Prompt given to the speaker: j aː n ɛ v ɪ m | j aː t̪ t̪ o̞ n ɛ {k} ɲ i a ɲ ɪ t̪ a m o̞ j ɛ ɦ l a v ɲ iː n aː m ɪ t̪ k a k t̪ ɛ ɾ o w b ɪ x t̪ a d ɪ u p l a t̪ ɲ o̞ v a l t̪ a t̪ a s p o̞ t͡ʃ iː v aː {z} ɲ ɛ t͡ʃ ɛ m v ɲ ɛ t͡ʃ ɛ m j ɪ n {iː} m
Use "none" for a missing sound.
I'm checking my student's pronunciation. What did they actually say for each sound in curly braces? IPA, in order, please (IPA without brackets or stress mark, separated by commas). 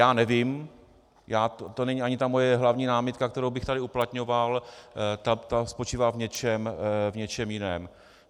none, v, ɛː